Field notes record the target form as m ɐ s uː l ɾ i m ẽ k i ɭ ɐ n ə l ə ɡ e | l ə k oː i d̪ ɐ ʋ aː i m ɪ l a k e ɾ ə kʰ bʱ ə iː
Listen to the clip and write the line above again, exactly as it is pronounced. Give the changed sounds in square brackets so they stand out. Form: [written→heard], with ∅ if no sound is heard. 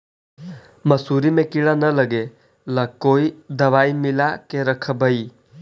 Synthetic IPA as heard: m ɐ s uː [l→∅] ɾ i m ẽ k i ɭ [ɐ→a] n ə l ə ɡ e | l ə k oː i d̪ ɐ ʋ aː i m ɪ l a k e ɾ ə kʰ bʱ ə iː